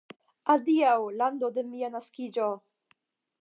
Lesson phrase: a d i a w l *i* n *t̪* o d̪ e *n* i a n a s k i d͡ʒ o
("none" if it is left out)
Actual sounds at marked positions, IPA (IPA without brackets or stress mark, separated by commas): a, d̪, m